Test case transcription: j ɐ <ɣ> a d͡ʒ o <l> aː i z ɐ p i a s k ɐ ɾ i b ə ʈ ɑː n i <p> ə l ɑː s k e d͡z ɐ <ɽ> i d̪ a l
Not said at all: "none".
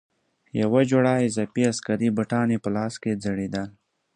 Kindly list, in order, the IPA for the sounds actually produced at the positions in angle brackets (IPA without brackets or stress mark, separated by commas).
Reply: w, ɽ, p, ɽ